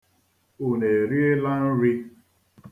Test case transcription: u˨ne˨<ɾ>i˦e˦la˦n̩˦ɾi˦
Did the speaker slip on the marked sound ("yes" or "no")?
no